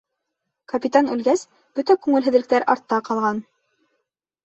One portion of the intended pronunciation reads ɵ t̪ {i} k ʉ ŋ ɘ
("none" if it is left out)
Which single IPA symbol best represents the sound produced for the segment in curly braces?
æ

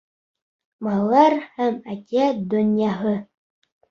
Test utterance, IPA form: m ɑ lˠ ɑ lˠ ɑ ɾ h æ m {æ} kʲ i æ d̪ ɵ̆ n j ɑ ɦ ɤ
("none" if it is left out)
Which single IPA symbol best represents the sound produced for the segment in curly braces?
æ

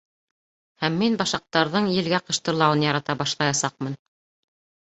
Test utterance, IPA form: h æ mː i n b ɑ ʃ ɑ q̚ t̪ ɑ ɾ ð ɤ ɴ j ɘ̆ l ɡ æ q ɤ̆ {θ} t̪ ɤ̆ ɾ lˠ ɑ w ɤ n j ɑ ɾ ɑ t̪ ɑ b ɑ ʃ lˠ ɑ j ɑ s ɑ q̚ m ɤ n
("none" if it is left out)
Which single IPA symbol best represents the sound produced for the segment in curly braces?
ʃ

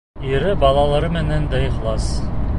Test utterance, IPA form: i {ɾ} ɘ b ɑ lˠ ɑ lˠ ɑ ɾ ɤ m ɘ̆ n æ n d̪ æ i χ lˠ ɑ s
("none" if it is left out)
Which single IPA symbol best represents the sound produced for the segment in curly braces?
ɾ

